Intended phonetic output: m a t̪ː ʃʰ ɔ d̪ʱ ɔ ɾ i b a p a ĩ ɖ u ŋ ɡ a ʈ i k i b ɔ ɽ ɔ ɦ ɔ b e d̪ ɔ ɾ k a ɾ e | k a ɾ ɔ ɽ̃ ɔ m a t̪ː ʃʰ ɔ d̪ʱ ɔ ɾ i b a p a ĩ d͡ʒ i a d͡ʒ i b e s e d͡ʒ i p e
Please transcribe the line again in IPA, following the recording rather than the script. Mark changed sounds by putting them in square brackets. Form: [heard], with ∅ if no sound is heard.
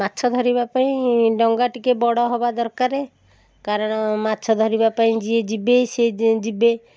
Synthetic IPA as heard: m a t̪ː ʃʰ ɔ d̪ʱ ɔ ɾ i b a p a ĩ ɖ [ɔ] ŋ ɡ a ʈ i k [e] b ɔ ɽ ɔ ɦ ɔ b [a] d̪ ɔ ɾ k a ɾ e | k a ɾ ɔ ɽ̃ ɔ m a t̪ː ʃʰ ɔ d̪ʱ ɔ ɾ i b a p a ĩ d͡ʒ i [e] d͡ʒ i b e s e d͡ʒ i [b] e